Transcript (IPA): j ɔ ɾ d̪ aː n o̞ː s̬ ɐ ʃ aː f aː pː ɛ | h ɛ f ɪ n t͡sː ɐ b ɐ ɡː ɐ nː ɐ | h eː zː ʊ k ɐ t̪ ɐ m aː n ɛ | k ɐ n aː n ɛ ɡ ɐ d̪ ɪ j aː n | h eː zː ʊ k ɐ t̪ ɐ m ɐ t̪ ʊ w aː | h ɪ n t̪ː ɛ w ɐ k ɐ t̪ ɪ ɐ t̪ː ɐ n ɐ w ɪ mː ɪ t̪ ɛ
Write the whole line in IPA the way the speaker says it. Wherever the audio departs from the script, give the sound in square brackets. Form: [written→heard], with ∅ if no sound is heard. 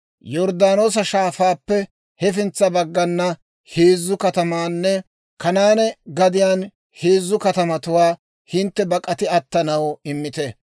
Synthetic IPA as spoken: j ɔ ɾ d̪ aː n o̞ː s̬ ɐ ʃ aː f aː pː ɛ | h ɛ f ɪ n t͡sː ɐ b ɐ ɡː ɐ nː ɐ | h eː zː ʊ k ɐ t̪ ɐ m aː [n→nː] ɛ | k ɐ n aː n ɛ ɡ ɐ d̪ ɪ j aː n | h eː zː ʊ k ɐ t̪ ɐ m ɐ t̪ ʊ w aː | h ɪ n t̪ː ɛ [w→b] ɐ [k→kʼ] ɐ t̪ ɪ ɐ t̪ː ɐ n ɐ w ɪ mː ɪ t̪ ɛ